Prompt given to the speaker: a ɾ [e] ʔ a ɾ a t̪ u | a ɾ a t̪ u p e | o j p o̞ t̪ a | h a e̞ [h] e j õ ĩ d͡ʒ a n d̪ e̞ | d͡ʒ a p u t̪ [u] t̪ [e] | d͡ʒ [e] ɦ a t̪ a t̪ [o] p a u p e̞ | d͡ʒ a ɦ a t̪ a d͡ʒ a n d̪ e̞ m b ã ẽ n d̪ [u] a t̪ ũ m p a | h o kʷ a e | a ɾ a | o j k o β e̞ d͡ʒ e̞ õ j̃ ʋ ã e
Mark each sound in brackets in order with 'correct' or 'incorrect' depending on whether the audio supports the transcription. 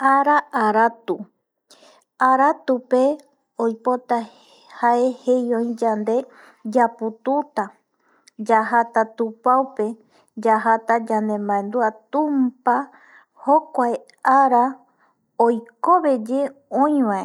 incorrect, correct, correct, incorrect, incorrect, incorrect, correct

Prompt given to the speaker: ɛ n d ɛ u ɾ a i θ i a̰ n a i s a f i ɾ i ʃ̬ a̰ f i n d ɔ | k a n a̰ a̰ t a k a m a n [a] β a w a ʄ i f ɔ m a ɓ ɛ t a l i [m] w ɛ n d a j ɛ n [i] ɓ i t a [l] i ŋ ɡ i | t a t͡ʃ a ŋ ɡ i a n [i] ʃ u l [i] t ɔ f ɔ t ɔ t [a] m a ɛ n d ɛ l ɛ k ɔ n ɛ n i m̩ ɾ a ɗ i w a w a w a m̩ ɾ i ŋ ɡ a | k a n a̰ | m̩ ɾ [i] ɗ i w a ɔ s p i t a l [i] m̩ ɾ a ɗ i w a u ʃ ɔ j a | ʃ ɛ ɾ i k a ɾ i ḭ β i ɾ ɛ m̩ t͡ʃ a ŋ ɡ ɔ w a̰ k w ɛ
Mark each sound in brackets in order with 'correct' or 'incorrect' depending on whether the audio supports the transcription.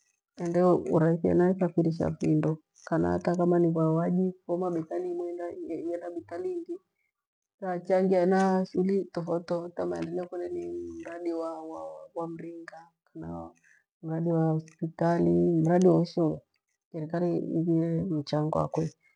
incorrect, correct, incorrect, correct, incorrect, correct, correct, incorrect, correct

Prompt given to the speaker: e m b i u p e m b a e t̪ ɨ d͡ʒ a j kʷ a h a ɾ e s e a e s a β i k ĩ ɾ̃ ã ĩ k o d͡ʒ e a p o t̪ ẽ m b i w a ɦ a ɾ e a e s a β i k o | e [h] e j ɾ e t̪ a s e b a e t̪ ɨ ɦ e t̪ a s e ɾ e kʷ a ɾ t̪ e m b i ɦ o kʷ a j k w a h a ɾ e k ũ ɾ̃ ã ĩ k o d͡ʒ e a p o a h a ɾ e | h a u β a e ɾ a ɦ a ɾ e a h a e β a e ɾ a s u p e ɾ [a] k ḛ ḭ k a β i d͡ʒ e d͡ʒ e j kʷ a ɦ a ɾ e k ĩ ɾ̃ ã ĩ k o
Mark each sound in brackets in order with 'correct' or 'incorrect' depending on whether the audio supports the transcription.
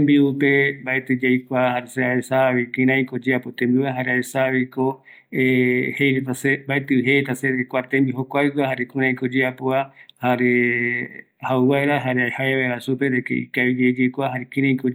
correct, incorrect

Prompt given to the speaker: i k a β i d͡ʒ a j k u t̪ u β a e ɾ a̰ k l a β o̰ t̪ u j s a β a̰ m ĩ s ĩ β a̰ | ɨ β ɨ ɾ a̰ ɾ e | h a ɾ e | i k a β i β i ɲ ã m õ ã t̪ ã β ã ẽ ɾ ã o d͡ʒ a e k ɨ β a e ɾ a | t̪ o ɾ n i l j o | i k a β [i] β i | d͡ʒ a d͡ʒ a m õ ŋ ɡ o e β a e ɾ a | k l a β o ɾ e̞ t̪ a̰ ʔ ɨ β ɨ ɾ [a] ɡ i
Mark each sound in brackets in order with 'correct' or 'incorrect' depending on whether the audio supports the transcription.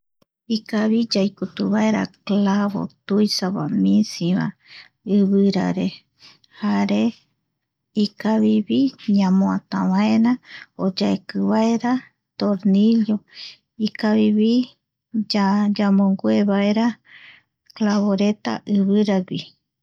correct, correct

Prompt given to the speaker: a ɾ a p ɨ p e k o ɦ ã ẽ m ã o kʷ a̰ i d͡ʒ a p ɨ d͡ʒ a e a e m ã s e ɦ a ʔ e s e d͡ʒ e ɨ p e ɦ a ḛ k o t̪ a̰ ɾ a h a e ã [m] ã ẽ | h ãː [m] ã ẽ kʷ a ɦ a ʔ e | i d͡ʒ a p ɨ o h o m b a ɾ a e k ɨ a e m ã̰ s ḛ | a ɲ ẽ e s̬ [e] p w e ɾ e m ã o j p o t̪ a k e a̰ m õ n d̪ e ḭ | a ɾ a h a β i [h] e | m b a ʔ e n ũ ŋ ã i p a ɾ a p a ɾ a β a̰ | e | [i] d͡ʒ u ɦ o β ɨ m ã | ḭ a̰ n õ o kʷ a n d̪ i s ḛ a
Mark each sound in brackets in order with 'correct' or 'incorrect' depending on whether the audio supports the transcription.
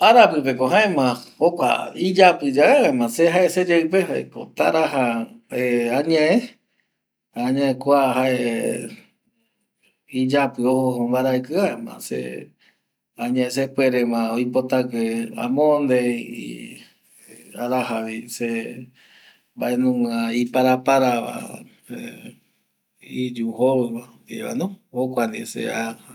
incorrect, incorrect, correct, incorrect, correct

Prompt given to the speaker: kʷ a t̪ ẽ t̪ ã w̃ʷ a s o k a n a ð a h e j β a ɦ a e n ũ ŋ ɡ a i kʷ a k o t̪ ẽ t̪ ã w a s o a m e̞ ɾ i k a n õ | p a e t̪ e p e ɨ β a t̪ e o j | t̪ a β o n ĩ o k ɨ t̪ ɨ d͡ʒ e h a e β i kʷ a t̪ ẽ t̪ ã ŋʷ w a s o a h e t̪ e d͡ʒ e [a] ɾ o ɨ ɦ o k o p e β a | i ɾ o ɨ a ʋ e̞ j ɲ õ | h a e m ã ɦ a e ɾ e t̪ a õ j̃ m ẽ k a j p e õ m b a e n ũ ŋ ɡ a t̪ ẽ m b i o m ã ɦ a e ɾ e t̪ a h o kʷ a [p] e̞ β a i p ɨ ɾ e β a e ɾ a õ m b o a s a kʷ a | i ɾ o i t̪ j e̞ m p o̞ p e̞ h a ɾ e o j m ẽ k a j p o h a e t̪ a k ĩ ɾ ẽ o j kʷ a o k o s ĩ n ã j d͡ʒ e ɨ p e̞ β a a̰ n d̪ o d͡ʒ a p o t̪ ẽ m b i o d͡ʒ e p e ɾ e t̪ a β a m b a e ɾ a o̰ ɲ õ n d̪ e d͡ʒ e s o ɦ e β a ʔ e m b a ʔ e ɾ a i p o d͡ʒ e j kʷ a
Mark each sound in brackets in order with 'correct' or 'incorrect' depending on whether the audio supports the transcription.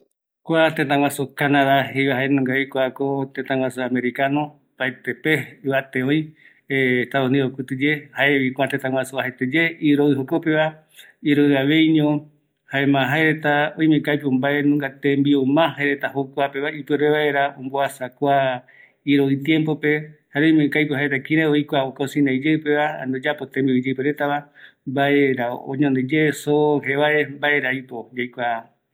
incorrect, correct

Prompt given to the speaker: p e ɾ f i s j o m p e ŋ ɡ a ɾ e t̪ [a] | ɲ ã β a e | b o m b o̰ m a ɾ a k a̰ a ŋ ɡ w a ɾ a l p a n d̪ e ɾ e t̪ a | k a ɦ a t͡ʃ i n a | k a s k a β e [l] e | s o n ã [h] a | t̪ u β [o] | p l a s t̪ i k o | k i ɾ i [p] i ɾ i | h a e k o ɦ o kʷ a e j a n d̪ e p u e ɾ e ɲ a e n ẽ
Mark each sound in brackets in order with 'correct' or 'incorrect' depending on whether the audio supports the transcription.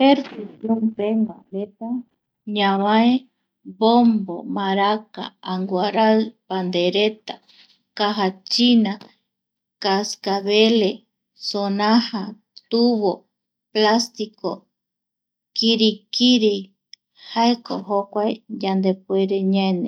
correct, correct, correct, correct, incorrect

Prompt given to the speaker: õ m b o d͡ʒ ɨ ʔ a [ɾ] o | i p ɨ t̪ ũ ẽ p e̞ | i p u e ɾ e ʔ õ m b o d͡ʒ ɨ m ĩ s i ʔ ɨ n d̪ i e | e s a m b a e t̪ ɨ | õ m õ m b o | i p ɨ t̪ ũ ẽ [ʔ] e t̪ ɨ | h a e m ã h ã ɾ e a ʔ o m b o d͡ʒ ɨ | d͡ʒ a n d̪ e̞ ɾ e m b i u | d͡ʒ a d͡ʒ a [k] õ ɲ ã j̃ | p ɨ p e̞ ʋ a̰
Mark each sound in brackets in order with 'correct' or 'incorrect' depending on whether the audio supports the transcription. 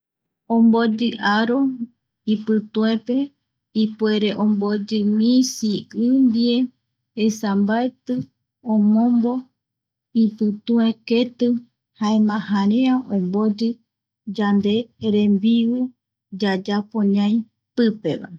correct, incorrect, incorrect

